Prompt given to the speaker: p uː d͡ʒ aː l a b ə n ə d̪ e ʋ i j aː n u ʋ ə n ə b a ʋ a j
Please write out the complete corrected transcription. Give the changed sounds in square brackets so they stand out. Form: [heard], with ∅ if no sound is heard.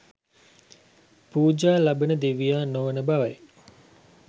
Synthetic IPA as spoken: p uː d͡ʒ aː l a b ə n ə d̪ e ʋ i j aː n [o] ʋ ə n ə b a ʋ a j